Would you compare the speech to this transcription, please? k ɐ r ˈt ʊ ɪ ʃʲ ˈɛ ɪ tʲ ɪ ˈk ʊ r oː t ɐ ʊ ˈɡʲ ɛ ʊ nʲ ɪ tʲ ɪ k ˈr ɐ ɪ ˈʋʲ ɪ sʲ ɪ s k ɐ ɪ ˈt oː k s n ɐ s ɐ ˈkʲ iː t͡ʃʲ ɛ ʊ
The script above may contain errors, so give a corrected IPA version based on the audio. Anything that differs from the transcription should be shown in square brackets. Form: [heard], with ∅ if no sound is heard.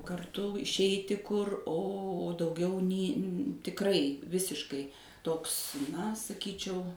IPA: k ɐ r ˈt ʊ ɪ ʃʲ ˈɛ ɪ tʲ ɪ ˈk ʊ r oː [d] ɐ ʊ ˈɡʲ ɛ ʊ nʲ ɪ tʲ ɪ k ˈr ɐ ɪ ˈʋʲ ɪ sʲ ɪ [ʃ] k ɐ ɪ ˈt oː k s n ɐ s ɐ ˈkʲ iː t͡ʃʲ ɛ ʊ